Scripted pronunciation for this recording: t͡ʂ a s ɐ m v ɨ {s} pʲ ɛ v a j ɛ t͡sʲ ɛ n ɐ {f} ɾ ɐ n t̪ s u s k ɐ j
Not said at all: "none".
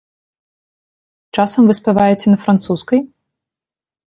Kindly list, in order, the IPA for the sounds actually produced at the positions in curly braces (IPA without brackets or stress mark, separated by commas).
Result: s, f